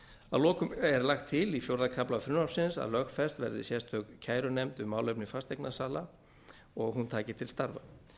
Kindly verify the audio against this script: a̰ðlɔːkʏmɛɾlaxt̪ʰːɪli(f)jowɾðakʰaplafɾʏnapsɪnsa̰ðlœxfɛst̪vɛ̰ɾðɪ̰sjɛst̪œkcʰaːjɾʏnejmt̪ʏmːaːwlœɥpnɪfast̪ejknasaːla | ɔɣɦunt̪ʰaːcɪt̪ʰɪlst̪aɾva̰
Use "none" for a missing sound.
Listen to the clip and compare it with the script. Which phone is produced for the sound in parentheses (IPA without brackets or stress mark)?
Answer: f